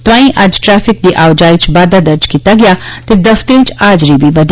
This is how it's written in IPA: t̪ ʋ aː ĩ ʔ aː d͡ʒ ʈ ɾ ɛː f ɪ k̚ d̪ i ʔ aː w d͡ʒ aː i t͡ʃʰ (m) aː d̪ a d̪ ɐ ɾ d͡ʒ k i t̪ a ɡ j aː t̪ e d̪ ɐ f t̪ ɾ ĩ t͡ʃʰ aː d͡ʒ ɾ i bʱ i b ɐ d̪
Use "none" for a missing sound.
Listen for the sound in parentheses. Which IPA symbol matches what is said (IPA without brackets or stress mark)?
b